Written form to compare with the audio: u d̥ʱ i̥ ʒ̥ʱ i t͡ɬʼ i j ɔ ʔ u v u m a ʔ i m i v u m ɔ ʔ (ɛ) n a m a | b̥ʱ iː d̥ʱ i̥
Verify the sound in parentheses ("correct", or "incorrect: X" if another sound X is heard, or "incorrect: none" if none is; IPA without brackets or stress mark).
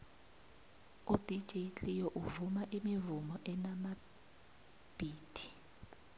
correct